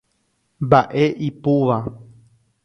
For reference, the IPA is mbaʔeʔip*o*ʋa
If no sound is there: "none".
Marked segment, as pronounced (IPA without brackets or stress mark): u